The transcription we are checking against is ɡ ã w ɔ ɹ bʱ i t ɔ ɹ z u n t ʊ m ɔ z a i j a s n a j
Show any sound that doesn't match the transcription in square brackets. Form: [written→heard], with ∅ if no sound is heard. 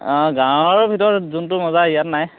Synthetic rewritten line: ɡ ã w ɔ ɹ bʱ i t ɔ ɹ z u n t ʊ m ɔ z a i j a [s→t] n a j